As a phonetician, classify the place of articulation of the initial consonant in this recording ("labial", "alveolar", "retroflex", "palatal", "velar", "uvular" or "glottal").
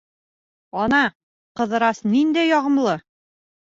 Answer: alveolar